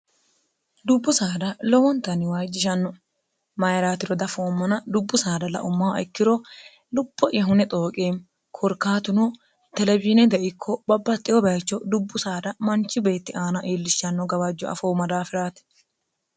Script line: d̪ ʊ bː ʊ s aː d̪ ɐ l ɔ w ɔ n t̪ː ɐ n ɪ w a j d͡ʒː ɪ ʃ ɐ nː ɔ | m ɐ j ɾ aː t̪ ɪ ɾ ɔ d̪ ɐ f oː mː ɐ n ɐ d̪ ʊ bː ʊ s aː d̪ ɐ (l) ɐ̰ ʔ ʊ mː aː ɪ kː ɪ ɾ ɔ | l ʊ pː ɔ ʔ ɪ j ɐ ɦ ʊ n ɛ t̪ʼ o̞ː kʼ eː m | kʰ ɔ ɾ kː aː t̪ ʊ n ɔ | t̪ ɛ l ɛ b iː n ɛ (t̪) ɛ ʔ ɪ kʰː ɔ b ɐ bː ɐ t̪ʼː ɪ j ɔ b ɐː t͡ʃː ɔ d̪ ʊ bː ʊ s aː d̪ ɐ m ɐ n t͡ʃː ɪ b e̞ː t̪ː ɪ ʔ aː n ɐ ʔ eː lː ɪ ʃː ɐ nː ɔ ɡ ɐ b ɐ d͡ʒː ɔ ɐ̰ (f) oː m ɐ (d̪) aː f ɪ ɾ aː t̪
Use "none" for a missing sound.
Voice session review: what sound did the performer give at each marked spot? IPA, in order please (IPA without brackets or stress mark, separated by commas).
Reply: l, d̪, f, d̪